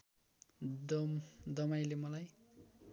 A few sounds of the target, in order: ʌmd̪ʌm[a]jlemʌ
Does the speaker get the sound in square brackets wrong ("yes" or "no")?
no